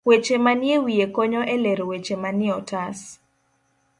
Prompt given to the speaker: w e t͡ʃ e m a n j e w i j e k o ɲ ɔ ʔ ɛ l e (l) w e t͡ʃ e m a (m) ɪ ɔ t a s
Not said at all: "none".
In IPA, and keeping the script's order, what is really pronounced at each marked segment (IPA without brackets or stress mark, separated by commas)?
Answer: ɾ, n